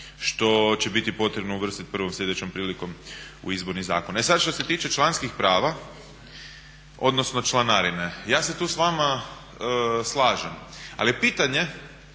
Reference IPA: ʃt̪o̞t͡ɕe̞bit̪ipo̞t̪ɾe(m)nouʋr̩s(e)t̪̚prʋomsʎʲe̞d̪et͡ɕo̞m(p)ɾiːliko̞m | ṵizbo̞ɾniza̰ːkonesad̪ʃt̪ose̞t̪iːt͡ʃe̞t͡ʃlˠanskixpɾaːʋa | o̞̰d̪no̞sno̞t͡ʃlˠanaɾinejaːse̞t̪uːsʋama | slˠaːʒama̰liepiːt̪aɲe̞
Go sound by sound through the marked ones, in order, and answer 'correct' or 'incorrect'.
incorrect, incorrect, correct

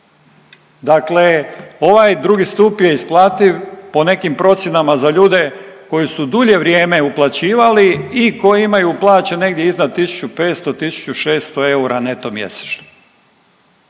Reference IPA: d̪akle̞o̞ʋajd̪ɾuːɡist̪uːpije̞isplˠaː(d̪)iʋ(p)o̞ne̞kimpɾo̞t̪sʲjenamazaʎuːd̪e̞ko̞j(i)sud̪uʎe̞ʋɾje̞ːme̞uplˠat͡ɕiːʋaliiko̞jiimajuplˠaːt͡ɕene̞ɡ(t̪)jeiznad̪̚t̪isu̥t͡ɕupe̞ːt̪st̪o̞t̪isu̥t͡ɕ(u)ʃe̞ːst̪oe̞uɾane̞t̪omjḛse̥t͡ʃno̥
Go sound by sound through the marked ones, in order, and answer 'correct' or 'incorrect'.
incorrect, correct, correct, incorrect, correct

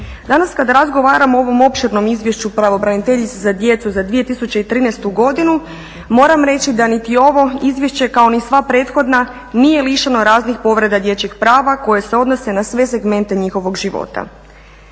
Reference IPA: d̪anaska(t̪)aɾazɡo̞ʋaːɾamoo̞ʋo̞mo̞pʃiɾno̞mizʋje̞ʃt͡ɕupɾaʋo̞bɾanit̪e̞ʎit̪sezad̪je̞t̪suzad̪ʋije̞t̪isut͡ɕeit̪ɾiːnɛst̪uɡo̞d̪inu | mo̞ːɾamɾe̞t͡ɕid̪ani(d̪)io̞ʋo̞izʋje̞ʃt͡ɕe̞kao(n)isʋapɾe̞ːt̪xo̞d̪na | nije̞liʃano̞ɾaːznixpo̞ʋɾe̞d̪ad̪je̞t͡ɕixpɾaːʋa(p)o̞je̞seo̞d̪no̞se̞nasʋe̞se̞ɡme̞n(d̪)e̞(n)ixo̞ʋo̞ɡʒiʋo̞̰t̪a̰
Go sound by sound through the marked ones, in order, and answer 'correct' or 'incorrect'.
incorrect, incorrect, correct, incorrect, incorrect, incorrect

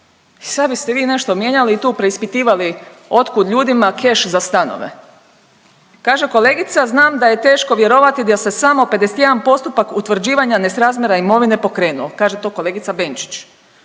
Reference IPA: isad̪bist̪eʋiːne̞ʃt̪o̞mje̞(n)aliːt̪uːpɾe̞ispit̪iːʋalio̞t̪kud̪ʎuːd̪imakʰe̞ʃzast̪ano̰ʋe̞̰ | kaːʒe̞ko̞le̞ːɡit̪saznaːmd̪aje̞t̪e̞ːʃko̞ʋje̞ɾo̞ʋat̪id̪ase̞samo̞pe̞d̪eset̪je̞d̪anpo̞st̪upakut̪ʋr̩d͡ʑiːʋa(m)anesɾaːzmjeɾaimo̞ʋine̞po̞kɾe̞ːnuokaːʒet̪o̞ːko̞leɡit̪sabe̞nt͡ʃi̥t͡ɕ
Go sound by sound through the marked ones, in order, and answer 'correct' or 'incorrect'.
incorrect, incorrect

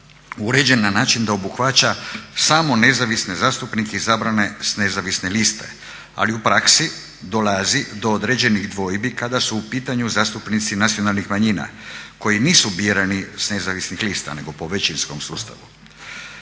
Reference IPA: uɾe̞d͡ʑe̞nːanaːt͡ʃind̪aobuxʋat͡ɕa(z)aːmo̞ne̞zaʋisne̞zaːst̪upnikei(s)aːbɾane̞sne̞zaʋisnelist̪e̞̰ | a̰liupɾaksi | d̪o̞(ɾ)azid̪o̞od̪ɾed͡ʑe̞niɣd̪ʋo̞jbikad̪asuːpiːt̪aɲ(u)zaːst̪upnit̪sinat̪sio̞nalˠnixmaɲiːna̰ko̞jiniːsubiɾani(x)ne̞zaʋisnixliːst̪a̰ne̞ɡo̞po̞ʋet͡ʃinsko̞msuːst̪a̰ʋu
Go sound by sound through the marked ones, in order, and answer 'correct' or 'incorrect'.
incorrect, incorrect, incorrect, correct, incorrect

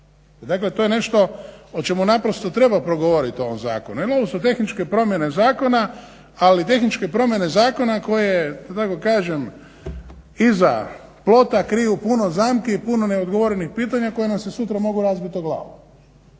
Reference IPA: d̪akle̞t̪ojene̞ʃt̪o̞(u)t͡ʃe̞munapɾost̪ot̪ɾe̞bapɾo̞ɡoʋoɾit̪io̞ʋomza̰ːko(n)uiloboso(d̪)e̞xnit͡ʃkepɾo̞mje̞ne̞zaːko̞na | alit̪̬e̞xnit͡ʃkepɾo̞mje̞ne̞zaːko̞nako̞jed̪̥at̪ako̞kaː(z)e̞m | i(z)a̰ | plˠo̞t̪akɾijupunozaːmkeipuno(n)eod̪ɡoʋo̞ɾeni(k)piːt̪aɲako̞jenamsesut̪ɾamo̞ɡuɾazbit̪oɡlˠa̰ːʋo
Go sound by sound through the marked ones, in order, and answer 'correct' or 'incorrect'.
incorrect, correct, incorrect, incorrect, correct, correct, incorrect

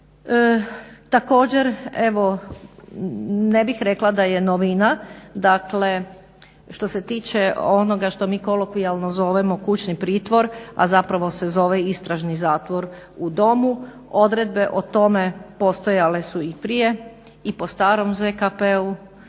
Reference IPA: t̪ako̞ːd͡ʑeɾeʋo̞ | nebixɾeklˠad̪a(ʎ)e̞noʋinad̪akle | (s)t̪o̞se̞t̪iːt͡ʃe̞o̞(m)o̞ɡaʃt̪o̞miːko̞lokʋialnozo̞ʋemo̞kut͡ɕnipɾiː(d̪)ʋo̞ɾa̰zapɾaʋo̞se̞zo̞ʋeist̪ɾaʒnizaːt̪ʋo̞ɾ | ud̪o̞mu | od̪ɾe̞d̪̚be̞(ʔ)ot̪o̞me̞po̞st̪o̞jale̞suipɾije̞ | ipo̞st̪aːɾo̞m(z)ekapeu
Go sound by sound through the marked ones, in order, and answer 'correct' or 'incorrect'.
incorrect, incorrect, incorrect, incorrect, correct, correct

